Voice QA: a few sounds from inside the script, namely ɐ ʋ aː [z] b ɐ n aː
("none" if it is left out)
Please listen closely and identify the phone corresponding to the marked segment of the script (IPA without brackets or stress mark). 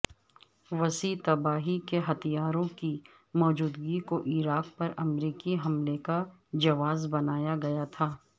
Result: z